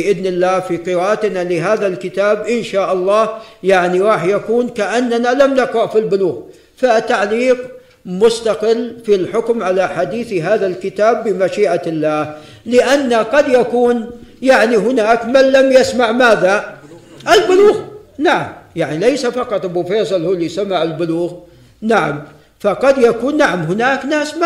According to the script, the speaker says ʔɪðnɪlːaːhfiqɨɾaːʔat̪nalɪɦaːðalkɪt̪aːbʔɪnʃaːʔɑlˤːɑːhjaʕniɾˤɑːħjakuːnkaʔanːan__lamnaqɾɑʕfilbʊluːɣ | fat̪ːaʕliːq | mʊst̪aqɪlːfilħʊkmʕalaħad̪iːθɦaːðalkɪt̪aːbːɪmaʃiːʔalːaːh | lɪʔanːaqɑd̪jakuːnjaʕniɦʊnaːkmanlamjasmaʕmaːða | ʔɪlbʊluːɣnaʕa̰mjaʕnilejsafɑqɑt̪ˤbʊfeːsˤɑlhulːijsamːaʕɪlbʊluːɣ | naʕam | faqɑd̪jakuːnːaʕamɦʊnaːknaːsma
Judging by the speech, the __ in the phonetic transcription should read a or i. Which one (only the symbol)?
a